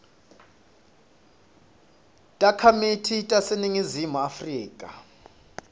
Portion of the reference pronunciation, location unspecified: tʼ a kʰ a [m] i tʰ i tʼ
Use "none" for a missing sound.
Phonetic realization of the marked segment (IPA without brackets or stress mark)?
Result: m